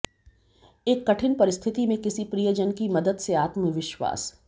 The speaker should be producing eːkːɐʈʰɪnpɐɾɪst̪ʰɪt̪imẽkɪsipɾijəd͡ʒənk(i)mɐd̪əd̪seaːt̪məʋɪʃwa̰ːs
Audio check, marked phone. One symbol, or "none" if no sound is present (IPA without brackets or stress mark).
i